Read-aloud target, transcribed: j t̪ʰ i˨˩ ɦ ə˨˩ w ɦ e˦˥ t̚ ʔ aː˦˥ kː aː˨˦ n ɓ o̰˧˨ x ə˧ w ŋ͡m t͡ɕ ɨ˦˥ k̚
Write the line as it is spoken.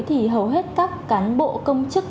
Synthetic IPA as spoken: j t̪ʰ i˨˩ ɦ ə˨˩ w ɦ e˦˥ t̚ k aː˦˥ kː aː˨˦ n ɓ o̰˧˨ k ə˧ w ŋ͡m t͡ɕ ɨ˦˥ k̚